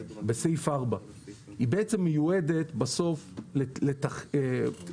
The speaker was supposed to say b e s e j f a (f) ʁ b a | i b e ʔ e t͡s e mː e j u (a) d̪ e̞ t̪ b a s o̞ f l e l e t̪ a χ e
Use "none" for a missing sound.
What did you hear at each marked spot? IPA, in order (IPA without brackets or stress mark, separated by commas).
none, e